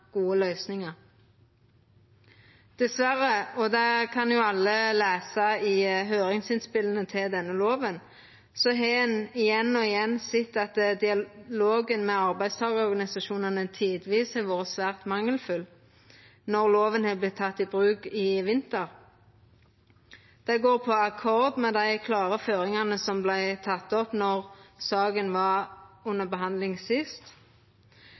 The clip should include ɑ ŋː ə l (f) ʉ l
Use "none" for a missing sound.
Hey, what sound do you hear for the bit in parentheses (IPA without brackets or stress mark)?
f